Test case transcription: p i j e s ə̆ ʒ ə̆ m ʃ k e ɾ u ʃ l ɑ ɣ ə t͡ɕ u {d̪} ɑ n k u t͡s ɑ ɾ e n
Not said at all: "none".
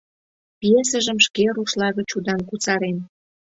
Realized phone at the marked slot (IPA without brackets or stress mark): d̪